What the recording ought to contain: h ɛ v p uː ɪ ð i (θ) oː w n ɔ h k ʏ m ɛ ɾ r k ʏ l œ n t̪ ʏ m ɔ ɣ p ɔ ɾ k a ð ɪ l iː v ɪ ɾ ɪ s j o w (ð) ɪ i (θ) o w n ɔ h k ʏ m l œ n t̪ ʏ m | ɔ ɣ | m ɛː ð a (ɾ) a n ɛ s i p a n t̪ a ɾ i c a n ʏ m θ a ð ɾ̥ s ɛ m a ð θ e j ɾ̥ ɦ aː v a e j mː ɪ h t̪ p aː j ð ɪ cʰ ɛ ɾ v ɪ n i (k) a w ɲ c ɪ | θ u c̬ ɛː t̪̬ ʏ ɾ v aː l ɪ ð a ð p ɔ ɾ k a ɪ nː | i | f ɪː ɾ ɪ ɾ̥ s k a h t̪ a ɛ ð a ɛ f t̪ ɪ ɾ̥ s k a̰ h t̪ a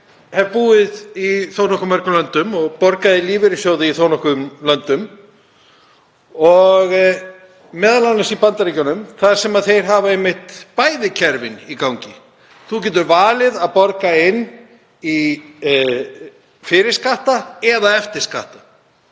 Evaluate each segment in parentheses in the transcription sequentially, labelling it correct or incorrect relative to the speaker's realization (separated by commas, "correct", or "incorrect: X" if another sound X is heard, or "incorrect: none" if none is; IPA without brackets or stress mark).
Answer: correct, correct, correct, incorrect: l, correct